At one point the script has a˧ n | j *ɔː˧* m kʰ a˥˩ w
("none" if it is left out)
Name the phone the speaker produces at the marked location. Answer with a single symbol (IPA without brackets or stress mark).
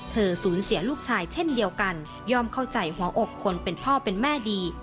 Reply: ɔː˥˩